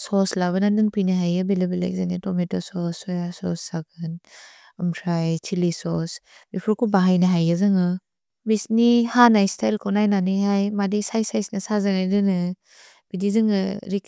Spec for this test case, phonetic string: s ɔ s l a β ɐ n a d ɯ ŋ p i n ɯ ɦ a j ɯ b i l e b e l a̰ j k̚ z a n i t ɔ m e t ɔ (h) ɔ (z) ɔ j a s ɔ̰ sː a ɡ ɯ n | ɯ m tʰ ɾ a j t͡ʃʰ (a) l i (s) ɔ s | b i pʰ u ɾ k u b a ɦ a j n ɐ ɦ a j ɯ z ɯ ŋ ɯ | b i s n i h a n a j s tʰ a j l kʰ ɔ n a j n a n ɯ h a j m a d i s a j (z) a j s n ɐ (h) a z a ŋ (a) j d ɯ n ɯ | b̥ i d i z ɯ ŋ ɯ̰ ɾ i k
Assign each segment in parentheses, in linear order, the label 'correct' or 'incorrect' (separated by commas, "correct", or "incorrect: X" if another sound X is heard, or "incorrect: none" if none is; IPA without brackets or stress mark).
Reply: incorrect: s, incorrect: s, incorrect: i, correct, incorrect: s, incorrect: s, correct